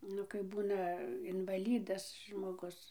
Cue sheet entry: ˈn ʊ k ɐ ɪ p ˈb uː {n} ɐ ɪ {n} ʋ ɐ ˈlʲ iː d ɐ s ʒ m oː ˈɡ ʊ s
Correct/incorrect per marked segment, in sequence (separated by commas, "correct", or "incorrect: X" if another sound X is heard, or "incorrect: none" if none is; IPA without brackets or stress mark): correct, correct